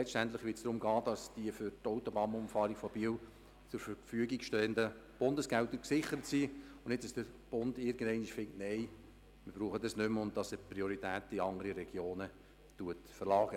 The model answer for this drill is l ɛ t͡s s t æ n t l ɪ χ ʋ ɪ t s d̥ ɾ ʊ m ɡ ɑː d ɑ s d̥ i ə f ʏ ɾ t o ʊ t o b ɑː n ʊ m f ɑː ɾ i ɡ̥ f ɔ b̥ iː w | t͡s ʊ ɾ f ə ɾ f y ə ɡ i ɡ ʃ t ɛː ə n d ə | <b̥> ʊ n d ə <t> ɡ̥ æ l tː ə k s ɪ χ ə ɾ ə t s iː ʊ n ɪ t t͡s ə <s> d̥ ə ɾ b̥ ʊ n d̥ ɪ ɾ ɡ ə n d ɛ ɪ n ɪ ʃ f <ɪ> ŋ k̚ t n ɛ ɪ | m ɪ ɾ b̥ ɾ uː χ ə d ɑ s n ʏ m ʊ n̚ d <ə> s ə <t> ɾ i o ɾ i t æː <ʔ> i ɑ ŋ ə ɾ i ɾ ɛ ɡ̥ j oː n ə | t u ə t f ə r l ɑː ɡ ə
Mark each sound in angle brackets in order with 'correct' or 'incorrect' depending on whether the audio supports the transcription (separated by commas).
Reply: correct, incorrect, correct, correct, incorrect, incorrect, incorrect